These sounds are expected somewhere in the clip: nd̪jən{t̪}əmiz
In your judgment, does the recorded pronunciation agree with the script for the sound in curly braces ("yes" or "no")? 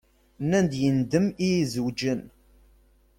no